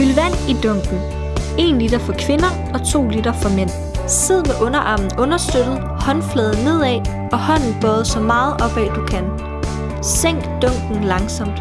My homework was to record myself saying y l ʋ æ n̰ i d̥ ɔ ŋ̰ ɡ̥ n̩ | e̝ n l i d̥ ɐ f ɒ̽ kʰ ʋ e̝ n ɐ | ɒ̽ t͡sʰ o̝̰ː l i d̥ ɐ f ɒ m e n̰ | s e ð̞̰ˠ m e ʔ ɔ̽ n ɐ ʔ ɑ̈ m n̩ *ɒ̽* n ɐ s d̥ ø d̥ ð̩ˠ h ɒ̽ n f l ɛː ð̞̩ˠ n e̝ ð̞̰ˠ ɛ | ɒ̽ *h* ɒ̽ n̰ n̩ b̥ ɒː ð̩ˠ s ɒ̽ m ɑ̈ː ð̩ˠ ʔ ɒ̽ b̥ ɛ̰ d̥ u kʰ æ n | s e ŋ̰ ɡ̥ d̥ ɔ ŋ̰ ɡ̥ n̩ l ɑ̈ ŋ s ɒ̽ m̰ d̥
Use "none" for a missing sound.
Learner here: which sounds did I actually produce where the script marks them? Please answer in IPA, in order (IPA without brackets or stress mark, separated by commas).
ɔ̽, h